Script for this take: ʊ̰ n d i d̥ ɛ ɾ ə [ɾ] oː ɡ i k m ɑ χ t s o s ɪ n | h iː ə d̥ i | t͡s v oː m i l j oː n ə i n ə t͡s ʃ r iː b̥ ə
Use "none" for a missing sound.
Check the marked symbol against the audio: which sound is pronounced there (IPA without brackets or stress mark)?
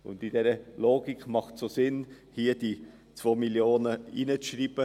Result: l